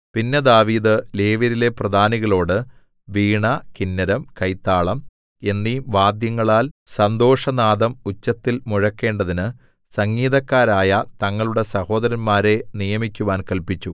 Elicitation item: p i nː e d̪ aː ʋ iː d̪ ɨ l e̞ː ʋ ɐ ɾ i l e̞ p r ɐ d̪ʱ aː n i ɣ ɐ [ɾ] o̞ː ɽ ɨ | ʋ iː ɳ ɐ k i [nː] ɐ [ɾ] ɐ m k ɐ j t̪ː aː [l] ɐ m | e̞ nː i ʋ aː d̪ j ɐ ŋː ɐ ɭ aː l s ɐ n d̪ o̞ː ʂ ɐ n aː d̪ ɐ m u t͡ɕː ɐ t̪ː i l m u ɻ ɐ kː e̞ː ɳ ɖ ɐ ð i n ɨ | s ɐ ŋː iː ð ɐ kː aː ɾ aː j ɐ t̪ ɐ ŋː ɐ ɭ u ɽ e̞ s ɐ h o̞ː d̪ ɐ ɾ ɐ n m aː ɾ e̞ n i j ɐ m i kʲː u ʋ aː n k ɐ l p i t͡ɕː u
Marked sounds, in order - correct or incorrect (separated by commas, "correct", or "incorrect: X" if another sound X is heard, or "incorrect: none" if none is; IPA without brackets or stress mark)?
incorrect: ɭ, correct, correct, incorrect: ɭ